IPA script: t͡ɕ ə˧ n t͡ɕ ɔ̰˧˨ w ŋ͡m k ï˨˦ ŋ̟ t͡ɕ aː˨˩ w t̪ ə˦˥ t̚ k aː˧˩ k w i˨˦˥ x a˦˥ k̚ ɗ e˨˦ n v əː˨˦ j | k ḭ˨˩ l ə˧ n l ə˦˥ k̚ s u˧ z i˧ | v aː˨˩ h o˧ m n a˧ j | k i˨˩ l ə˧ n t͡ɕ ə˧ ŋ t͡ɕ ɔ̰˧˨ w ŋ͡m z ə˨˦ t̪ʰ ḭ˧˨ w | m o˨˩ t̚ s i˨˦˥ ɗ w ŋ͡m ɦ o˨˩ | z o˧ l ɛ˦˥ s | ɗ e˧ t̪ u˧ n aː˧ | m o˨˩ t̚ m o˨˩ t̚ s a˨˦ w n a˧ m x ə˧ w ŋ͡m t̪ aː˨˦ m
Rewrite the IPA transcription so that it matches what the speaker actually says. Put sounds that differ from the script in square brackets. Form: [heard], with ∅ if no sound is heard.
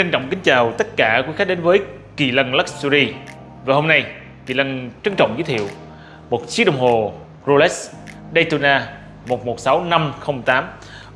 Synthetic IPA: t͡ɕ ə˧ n t͡ɕ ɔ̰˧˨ w ŋ͡m k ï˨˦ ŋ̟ t͡ɕ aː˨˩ w t̪ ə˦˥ t̚ k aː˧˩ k w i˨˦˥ x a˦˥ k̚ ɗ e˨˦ n v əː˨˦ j | k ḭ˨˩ l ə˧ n l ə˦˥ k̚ s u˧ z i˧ | v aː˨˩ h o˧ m n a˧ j | k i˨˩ l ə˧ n t͡ɕ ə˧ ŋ t͡ɕ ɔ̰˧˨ w ŋ͡m z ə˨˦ t̪ʰ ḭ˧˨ w | m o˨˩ t̚ s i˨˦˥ ɗ w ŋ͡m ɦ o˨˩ | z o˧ l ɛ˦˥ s | ɗ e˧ t̪ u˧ n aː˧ | m o˨˩ t̚ m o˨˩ t̚ s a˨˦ w n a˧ m x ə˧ w ŋ͡m t̪ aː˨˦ m